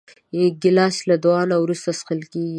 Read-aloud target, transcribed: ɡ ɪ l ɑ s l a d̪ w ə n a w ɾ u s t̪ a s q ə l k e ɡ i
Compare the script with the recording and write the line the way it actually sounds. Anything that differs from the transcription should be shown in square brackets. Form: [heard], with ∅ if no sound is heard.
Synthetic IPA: ɡ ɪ l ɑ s l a d̪ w [ɑ] n a w ɾ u s t̪ a s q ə l k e ɡ i